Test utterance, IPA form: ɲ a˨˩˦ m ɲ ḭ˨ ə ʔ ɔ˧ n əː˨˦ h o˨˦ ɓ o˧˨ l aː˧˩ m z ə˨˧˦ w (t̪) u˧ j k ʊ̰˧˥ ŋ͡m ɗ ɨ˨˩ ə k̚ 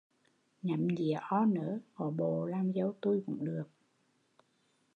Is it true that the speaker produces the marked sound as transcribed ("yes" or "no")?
yes